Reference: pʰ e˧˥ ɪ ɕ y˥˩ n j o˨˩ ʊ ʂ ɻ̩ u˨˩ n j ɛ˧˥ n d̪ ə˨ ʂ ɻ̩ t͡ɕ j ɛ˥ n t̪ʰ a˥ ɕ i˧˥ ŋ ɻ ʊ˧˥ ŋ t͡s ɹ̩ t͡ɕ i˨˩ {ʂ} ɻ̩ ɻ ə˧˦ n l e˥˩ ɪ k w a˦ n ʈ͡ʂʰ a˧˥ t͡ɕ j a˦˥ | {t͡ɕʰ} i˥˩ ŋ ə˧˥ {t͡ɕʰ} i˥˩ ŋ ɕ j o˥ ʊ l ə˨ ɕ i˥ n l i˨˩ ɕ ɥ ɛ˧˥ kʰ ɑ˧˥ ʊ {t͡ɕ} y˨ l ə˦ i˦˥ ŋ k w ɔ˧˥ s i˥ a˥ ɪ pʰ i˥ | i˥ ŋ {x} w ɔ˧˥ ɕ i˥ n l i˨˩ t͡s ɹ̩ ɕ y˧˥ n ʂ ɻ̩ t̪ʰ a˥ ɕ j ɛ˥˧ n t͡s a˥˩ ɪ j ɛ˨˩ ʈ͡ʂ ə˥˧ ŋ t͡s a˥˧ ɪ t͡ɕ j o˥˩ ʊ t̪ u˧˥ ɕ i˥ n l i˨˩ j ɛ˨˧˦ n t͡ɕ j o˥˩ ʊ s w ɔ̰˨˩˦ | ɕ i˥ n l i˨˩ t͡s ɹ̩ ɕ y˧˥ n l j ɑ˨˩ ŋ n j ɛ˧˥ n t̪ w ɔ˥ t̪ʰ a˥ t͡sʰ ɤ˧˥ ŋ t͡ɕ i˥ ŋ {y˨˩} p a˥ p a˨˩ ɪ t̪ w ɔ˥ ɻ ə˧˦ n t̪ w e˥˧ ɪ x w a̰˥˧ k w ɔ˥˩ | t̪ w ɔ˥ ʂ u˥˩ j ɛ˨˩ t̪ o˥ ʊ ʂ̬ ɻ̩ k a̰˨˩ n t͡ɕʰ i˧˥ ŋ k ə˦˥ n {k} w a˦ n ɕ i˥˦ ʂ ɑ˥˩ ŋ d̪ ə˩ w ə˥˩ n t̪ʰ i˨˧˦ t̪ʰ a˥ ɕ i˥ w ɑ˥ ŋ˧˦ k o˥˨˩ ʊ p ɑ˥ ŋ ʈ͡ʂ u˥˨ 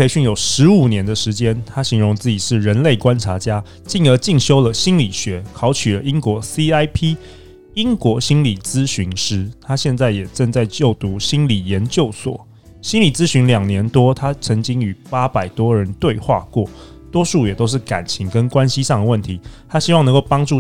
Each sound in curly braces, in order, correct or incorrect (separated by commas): correct, incorrect, incorrect, incorrect, incorrect, correct, correct